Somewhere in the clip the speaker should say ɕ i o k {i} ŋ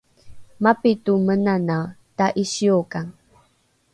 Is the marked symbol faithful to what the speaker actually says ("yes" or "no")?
no